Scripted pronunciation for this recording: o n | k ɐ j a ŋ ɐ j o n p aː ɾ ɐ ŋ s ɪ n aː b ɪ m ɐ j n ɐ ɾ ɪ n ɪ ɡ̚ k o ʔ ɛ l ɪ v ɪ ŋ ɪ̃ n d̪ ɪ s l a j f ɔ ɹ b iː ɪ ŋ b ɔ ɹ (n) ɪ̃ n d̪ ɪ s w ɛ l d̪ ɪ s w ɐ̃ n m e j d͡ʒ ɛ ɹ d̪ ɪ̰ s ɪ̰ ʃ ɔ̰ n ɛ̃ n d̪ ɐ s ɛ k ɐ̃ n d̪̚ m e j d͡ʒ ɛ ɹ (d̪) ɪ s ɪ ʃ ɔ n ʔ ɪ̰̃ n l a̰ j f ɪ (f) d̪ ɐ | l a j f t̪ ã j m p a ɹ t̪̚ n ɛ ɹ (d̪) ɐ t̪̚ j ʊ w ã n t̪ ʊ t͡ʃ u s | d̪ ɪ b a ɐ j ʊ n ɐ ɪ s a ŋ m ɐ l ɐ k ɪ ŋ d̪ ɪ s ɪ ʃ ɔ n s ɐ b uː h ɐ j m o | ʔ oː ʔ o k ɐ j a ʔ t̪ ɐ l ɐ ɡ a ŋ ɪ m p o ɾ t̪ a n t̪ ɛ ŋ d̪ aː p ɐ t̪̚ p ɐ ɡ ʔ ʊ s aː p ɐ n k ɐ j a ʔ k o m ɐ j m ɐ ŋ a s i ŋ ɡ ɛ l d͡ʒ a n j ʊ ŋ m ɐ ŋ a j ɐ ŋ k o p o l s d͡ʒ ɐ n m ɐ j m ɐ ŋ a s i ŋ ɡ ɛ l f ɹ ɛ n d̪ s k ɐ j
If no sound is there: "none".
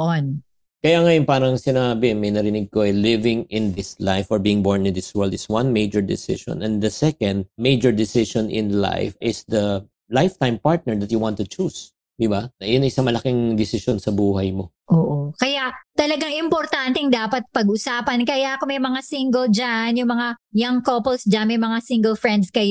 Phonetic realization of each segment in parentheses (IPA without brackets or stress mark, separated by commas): n, d̪, s, d̪